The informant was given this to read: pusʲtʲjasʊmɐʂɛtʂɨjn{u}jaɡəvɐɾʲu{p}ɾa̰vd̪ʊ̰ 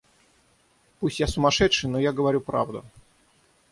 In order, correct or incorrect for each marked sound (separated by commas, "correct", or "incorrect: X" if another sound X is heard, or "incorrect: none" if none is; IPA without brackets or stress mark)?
incorrect: o, correct